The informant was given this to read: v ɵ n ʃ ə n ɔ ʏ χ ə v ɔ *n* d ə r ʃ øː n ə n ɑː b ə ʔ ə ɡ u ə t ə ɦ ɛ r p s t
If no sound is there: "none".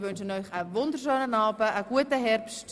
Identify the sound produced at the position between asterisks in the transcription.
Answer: n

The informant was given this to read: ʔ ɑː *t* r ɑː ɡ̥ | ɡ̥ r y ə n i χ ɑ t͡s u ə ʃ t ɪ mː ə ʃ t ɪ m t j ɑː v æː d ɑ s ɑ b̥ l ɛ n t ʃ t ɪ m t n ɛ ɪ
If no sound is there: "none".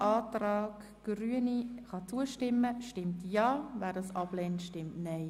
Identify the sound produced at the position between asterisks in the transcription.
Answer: t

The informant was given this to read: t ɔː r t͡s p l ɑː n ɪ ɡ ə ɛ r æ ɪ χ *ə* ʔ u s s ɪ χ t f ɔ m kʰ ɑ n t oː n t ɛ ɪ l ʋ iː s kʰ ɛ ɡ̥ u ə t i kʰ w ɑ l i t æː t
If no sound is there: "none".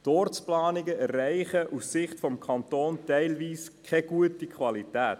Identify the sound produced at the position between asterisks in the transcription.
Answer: ə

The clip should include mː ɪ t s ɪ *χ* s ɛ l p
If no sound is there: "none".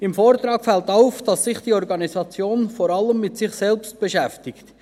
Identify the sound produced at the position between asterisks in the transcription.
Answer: χ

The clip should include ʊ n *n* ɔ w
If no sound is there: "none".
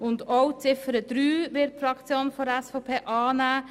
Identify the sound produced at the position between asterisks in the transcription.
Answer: d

